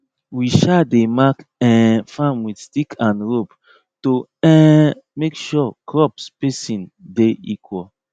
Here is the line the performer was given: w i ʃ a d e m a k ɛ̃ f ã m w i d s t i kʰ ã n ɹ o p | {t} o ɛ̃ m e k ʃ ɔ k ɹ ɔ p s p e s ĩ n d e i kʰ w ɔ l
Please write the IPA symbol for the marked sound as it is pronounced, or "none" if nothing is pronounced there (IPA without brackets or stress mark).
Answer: t